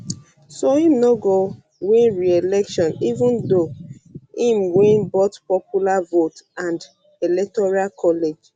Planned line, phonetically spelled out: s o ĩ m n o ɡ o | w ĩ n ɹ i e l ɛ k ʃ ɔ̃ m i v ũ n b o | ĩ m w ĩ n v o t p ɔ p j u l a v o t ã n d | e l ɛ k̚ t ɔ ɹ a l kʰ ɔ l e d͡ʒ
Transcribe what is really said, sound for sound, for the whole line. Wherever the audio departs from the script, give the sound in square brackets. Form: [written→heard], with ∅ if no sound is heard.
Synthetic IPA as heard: s o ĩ m n o ɡ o | w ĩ n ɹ i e l ɛ k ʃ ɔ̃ [m→n] i v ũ n [b→d] o | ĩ m w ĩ n [v→b] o t p ɔ p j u l a v o t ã n d | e l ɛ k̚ t ɔ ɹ a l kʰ ɔ l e d͡ʒ

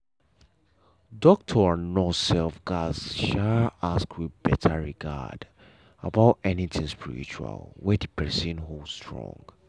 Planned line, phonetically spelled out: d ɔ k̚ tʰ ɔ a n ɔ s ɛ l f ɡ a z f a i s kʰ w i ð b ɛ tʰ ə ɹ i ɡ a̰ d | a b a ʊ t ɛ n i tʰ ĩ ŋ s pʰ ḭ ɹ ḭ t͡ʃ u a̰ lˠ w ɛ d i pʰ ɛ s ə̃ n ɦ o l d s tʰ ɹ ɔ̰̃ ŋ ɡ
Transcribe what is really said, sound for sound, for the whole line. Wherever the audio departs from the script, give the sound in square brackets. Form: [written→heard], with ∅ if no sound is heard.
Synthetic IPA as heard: d ɔ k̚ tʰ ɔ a n ɔ s ɛ l f ɡ a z [f→ʃ] a [i→a] s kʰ w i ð b ɛ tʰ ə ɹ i ɡ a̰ d | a b a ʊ t ɛ n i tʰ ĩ ŋ s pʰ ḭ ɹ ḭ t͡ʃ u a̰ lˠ w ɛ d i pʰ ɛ s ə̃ n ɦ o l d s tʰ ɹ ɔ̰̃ ŋ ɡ

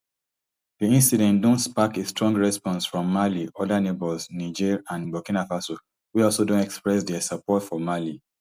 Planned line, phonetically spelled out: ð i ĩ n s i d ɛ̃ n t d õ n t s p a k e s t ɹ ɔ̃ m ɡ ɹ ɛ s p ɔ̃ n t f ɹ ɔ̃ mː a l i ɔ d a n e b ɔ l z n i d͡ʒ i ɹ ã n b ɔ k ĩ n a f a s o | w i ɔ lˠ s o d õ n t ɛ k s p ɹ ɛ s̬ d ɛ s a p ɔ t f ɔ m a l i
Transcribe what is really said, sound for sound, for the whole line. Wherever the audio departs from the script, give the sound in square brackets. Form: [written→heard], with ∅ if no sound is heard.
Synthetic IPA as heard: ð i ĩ n s i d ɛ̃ n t d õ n t s p a k e s t ɹ ɔ̃ [m→ŋ] ɡ ɹ ɛ s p ɔ̃ n [t→s] f ɹ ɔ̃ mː a l i ɔ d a n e b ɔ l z n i d͡ʒ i ɹ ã n b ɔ k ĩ n a f a s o | w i ɔ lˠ s o d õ n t ɛ k s p ɹ ɛ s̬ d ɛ s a p ɔ t f ɔ m a l i

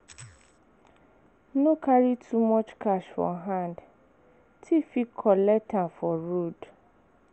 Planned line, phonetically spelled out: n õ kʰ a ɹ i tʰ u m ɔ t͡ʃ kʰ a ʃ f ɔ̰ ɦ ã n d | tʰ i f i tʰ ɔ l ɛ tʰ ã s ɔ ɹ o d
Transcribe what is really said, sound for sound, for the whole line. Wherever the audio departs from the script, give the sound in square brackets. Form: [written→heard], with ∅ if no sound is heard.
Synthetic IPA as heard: n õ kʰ a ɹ i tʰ u m ɔ t͡ʃ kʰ a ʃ f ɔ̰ ɦ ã n d | tʰ i f i [tʰ→kʰ] ɔ l ɛ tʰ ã [s→f] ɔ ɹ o d

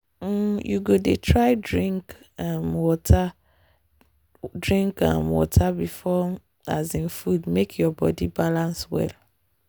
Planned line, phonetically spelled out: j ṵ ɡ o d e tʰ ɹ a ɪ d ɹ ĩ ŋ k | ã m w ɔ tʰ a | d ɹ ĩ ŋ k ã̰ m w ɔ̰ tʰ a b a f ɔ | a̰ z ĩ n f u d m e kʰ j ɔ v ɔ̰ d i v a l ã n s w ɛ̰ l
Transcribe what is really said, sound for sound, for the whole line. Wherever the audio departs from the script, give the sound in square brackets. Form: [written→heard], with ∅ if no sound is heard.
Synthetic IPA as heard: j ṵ ɡ o d e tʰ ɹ a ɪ d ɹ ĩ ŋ k | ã m w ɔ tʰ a | d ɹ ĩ ŋ k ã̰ m w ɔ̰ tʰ a b [a→i] f ɔ | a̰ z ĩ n f u d m e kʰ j ɔ [v→b] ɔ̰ d i [v→b] a l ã n s w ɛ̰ l

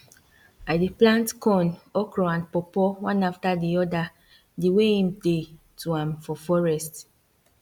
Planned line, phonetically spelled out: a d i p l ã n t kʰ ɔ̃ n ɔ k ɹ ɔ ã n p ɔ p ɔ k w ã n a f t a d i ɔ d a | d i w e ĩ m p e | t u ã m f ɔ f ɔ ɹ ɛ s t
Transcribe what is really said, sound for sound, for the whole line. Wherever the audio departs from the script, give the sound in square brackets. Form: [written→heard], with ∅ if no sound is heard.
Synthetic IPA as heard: a d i p l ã n t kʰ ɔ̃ n ɔ k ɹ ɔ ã n p ɔ p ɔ [k→∅] w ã n a f t a d i ɔ d a | d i w e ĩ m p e | t u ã m f ɔ f ɔ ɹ ɛ s t

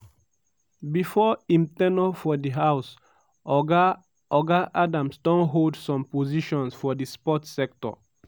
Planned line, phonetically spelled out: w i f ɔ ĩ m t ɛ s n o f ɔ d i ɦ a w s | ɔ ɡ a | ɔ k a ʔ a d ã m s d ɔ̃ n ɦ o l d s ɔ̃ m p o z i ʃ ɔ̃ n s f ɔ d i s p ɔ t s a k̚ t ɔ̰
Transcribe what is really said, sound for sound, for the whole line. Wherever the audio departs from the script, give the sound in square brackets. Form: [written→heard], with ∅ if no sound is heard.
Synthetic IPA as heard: [w→b] i f ɔ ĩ m t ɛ [s→∅] n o f ɔ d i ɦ a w s | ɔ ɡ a | ɔ [k→ɡ] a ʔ a d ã m s d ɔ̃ n ɦ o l d s ɔ̃ m p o z i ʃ ɔ̃ n s f ɔ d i s p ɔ t s [a→ɛ] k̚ t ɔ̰

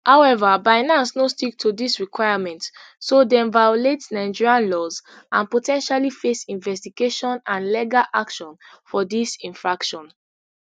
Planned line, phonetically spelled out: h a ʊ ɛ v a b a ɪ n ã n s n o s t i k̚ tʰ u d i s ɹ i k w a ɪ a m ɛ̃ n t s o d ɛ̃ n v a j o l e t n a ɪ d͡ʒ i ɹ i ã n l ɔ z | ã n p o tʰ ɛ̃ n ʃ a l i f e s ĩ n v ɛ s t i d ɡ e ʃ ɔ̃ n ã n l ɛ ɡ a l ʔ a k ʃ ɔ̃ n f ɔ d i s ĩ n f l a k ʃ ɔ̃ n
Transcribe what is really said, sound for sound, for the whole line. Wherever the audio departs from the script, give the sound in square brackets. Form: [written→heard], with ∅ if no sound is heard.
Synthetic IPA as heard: h a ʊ ɛ v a b a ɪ n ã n s n o s t i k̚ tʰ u d i s ɹ i k w a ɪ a m ɛ̃ n t s o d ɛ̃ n v a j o l e t n a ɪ d͡ʒ i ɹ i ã n l ɔ z | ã n p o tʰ ɛ̃ n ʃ a l i f e s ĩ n v ɛ s t i [d→∅] ɡ e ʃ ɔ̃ n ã n l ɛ ɡ a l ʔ a k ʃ ɔ̃ n f ɔ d i s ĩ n f [l→ɹ] a k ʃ ɔ̃ n

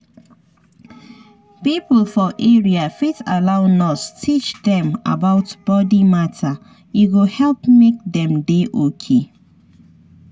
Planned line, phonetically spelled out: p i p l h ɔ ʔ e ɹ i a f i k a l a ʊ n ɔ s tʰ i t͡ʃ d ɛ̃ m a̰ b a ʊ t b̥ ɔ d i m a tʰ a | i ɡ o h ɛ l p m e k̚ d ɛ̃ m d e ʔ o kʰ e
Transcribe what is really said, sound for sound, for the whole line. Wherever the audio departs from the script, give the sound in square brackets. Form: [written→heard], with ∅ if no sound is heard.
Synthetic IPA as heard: p i p l [h→f] ɔ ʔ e ɹ i a f i [k→t] a l a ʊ n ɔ s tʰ i t͡ʃ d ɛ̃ m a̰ b a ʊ t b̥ ɔ d i m a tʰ a | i ɡ o h ɛ l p m e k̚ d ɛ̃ m d e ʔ o kʰ e

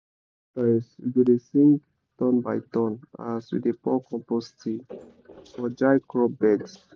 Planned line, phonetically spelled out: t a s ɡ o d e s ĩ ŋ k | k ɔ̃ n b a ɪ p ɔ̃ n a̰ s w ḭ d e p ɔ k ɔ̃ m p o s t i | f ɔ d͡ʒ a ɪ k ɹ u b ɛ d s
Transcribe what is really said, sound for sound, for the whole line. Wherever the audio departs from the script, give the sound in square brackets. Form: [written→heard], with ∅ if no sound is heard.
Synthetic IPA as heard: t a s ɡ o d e s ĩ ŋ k | [k→t] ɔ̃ n b a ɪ [p→t] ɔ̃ n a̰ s w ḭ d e p ɔ k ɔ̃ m p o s t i | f ɔ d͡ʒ a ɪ k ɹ [u→ɔ] b ɛ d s

